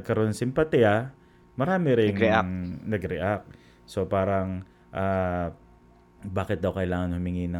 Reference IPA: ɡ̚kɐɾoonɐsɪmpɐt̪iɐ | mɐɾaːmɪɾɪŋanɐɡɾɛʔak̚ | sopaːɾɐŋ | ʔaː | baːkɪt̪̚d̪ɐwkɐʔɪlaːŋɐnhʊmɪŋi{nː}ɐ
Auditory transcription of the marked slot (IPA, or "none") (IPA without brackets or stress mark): n